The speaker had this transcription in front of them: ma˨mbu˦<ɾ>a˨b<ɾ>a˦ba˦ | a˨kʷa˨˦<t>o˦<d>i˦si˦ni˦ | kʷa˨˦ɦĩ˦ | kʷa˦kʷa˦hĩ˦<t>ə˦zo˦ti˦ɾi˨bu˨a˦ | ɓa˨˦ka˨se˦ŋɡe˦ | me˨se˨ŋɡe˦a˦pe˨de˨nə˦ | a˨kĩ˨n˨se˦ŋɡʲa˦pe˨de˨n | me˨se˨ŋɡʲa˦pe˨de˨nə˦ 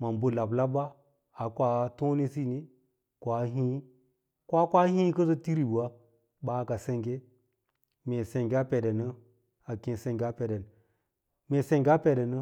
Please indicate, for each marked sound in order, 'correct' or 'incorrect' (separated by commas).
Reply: incorrect, incorrect, correct, incorrect, incorrect